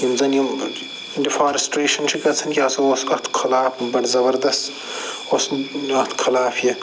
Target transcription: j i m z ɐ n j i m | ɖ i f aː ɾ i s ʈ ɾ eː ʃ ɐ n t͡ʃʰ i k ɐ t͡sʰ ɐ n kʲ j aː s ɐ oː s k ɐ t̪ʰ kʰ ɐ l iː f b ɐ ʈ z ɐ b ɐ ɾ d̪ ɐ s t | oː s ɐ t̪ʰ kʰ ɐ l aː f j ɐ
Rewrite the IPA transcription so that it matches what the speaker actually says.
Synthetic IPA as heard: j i m z ɐ n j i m | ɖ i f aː ɾ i s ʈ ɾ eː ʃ ɐ n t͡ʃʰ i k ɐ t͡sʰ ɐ n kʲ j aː s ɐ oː s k ɐ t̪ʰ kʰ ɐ l aː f b ɐ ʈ z ɐ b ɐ ɾ d̪ ɐ s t | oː s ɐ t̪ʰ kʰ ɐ l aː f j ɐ